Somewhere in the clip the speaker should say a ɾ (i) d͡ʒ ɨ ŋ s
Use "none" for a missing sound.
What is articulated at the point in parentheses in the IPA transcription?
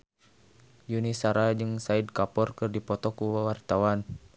a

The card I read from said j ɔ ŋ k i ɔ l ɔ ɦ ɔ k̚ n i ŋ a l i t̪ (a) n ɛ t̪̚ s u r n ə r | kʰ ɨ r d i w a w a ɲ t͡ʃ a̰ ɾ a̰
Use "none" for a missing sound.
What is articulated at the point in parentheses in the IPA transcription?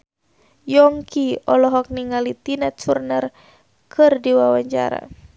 i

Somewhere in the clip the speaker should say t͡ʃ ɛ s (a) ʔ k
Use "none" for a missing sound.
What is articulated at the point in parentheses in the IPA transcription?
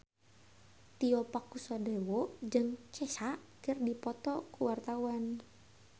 a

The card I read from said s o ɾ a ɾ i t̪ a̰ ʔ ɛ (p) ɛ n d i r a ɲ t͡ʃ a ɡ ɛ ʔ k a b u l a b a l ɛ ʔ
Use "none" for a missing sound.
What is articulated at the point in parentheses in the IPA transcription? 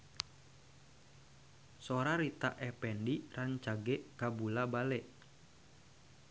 p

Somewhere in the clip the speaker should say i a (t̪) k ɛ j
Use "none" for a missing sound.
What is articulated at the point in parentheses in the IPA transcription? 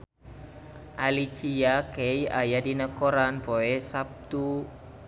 none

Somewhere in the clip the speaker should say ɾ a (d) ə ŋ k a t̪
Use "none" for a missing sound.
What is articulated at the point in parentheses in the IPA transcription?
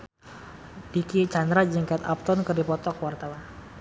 d͡ʒ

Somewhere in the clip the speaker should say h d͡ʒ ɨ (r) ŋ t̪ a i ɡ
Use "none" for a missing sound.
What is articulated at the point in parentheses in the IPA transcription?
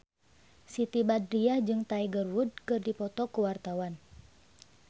none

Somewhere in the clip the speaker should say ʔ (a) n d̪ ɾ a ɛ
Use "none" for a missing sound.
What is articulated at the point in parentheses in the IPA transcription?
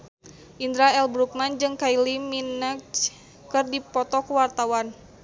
i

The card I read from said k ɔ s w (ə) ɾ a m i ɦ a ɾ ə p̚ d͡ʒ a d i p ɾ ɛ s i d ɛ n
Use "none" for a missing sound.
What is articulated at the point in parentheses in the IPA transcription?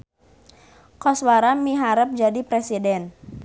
a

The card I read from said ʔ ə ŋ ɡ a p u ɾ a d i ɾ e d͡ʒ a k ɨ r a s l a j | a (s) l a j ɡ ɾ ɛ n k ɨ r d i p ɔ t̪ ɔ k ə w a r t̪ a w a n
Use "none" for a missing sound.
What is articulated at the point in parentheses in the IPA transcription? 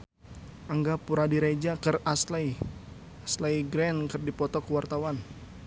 s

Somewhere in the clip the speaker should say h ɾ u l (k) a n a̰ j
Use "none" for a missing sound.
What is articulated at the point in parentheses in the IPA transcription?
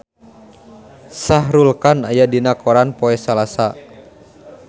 k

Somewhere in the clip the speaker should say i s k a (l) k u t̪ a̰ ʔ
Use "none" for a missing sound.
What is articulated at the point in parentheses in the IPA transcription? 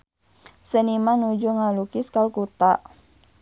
l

